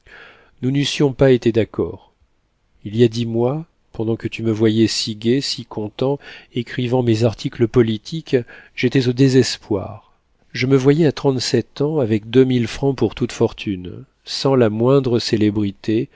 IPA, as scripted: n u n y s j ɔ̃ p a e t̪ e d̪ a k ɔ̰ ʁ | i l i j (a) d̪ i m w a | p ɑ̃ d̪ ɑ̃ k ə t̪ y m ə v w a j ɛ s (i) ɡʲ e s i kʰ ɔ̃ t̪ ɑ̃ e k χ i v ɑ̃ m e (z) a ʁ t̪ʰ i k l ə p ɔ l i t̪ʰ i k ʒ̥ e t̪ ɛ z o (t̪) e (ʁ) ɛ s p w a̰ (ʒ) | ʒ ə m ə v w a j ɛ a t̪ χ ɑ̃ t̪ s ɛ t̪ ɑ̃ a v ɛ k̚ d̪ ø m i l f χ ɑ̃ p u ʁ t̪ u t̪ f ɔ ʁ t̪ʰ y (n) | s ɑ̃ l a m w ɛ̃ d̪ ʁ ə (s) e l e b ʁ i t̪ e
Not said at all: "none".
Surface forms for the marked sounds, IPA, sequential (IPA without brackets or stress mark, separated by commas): a, i, z, d̪, z, ʁ, n, s